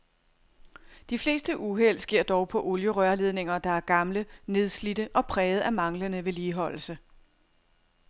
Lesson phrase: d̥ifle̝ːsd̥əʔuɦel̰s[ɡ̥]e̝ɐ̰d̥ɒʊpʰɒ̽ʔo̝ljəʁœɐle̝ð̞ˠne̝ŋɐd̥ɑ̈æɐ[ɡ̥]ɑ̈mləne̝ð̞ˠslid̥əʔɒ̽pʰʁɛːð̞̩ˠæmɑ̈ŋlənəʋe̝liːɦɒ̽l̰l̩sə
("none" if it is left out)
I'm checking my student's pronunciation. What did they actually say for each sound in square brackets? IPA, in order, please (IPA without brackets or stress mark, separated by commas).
ɡ̥, ɡ̥